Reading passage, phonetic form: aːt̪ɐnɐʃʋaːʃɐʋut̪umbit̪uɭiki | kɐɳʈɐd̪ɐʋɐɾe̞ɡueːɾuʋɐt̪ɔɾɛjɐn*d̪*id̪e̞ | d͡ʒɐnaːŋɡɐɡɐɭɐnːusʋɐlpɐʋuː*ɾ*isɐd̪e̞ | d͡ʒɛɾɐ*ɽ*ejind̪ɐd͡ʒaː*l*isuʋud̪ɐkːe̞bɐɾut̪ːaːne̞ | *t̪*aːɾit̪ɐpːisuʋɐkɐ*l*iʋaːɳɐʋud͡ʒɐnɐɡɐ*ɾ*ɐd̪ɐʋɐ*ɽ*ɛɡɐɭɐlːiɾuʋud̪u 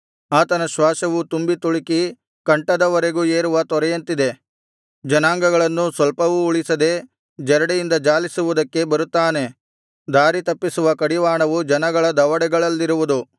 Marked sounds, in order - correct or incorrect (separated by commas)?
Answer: incorrect, incorrect, correct, correct, incorrect, incorrect, incorrect, correct